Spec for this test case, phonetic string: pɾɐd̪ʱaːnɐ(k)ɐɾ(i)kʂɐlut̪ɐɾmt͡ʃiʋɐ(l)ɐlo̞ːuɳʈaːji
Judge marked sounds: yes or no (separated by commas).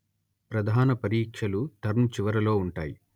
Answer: no, no, no